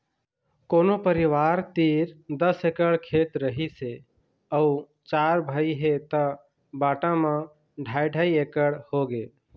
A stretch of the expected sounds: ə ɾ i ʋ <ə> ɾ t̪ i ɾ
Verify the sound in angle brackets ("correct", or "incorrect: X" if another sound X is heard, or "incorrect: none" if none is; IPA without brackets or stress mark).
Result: incorrect: a